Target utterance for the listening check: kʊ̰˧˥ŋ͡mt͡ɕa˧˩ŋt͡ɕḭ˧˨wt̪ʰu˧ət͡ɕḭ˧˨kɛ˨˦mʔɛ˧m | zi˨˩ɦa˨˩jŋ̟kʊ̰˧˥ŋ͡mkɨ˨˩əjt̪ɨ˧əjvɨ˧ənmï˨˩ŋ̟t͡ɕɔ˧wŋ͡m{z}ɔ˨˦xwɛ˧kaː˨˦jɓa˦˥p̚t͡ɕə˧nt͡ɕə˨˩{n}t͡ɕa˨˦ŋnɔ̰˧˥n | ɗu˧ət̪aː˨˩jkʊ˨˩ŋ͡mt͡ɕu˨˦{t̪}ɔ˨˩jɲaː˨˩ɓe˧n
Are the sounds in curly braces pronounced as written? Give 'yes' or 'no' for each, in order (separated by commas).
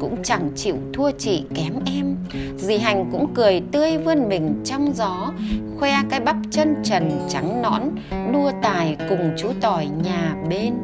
yes, yes, yes